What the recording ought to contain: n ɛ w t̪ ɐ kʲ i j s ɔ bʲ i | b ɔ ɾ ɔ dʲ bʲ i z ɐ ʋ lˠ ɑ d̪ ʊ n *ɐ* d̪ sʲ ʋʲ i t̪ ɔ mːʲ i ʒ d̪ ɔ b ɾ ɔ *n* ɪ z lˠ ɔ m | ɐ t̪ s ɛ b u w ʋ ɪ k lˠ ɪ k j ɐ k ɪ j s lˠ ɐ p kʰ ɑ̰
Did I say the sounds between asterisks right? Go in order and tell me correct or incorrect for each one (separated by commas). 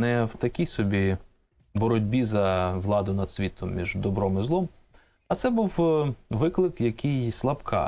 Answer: correct, incorrect